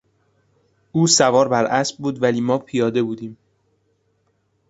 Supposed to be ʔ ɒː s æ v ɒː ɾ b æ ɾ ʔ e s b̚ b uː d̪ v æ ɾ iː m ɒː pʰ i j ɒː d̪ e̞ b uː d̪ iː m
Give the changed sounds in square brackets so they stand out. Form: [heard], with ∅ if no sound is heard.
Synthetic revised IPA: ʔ [uː] s æ v ɒː ɾ b æ ɾ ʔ [æ] s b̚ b uː d̪ v æ [l] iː m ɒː pʰ i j ɒː d̪ e̞ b uː d̪ iː m